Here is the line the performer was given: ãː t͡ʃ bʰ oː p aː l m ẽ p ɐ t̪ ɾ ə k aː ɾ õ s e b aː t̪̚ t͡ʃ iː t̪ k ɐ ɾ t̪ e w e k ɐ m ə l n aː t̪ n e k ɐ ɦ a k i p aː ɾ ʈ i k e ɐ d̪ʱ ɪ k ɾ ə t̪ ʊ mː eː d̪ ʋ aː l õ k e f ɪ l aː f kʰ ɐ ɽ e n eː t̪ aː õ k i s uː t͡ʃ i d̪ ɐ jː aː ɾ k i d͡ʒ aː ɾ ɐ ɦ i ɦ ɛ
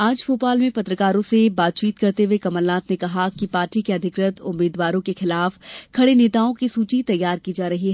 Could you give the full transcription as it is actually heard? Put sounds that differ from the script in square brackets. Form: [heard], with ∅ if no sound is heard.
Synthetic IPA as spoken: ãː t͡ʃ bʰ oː p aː l m ẽ p ɐ t̪ ɾ ə k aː ɾ õ s e b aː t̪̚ t͡ʃ iː t̪ k ɐ ɾ t̪ e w e k ɐ m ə l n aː t̪ n e k ɐ ɦ a k i p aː ɾ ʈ i k e ɐ d̪ʱ ɪ k ɾ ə t̪ ʊ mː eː d̪ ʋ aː [ɾ] õ k e [x] ɪ l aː f kʰ ɐ ɽ e n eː t̪ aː õ k i s uː t͡ʃ i [t̪] ɐ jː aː ɾ k i d͡ʒ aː ɾ ɐ ɦ i ɦ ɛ